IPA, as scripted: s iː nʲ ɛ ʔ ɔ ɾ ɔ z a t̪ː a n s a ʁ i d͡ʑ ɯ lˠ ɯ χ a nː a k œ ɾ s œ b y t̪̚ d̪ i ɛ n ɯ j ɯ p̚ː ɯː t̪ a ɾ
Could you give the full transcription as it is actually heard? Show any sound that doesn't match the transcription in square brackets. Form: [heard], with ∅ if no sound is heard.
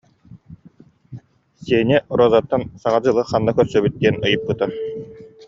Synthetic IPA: s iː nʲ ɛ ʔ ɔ ɾ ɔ z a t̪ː a n s a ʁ [a] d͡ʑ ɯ lˠ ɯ χ a nː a k œ ɾ s œ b y t̪̚ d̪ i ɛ n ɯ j ɯ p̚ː [ɯ] t̪ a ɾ